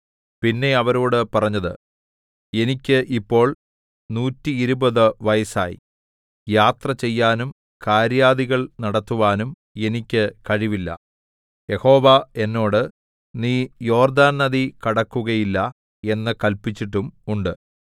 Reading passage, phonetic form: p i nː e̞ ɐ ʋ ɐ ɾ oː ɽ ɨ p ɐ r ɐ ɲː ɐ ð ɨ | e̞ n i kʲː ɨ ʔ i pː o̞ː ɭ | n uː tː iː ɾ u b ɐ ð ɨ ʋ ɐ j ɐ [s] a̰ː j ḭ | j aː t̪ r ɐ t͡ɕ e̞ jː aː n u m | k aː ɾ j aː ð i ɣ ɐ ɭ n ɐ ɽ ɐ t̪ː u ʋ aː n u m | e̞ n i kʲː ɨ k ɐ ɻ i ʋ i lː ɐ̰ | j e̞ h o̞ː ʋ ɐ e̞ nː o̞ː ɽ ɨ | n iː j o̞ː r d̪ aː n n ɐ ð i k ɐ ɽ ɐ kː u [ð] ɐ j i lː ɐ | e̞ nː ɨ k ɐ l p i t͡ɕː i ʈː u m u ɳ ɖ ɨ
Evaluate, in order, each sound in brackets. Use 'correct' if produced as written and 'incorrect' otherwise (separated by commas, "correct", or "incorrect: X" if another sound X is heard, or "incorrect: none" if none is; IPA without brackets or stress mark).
correct, incorrect: ɣ